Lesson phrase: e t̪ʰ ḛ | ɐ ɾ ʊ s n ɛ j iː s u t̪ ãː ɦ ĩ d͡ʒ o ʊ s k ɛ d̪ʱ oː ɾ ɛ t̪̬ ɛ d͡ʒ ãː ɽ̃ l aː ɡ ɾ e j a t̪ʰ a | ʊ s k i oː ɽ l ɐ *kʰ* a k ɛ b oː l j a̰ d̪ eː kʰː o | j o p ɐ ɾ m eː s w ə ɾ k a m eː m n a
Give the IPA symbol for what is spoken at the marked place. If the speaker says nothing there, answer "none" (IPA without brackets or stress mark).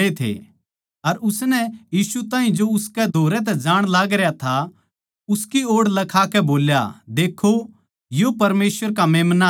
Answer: kʰ